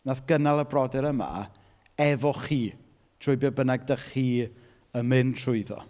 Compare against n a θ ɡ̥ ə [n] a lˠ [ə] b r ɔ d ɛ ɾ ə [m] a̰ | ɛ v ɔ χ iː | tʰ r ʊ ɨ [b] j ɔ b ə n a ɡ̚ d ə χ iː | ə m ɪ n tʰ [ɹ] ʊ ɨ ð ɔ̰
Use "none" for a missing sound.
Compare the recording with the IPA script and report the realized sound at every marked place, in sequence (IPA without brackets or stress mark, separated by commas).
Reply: n, ə, m, b, r